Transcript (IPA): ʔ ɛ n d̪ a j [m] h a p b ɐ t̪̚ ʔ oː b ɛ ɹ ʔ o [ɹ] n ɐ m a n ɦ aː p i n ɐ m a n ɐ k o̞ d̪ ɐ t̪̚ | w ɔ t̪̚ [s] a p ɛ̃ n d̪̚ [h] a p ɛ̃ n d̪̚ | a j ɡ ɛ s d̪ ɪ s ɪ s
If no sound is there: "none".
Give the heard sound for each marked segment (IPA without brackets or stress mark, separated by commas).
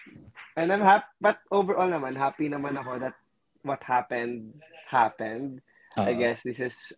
m, l, h, h